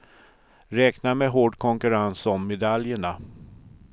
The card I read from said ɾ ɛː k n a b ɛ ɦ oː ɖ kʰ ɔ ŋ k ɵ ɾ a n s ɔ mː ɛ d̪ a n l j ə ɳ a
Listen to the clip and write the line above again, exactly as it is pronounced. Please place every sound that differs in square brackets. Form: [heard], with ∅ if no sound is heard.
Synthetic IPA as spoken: ɾ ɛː k n a [m] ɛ ɦ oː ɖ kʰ ɔ ŋ k ɵ ɾ a n s ɔ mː ɛ d̪ a [∅] l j ə ɳ a